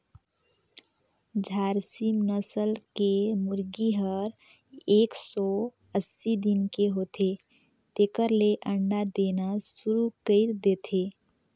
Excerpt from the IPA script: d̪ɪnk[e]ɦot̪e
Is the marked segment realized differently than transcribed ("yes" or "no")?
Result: no